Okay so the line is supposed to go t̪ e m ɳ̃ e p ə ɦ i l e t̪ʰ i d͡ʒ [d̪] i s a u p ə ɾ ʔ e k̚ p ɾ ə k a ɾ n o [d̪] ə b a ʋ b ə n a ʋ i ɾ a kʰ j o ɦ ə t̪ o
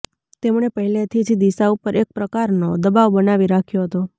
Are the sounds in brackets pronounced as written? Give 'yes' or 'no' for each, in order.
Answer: yes, yes

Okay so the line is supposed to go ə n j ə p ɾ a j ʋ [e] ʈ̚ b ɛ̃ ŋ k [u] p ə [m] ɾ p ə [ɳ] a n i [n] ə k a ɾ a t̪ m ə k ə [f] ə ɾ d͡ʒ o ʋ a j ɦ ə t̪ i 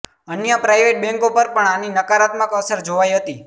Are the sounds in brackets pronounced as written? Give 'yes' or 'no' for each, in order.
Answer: yes, no, no, yes, yes, no

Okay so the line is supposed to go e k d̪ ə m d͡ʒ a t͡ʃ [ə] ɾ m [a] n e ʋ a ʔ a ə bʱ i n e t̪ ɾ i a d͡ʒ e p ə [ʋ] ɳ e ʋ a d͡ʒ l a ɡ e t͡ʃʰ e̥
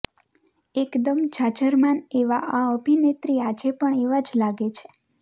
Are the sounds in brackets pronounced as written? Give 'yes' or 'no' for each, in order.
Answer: yes, yes, no

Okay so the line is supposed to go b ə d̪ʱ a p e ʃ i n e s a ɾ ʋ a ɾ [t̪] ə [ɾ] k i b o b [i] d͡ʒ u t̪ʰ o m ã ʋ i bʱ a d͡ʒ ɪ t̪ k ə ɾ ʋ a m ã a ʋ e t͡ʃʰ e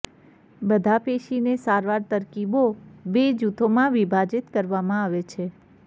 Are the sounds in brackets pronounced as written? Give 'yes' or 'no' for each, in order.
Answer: yes, yes, no

